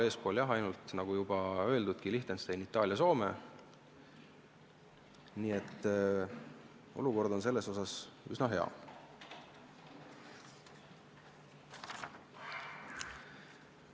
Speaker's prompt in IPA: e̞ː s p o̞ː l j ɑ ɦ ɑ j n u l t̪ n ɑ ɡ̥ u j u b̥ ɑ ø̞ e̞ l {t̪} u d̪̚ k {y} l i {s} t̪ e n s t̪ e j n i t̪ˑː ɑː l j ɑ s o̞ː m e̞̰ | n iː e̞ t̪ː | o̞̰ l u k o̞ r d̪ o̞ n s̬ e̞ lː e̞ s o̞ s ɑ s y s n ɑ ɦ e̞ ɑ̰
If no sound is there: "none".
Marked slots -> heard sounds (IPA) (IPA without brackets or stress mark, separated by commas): d̪, i, h